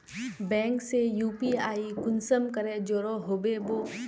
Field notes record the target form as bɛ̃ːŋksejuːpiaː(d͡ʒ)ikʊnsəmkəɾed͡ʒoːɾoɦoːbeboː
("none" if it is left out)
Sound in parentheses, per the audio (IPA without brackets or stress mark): none